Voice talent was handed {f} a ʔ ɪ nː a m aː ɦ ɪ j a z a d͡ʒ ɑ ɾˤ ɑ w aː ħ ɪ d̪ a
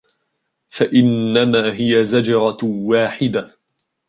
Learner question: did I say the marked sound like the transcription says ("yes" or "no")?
yes